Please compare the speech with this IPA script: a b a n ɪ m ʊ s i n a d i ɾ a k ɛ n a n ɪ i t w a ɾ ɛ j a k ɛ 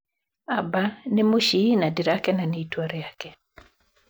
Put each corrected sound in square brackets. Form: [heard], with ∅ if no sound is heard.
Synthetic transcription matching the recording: a b a n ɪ m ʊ [ʃ] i n a d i ɾ a k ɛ n a n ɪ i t w a ɾ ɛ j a k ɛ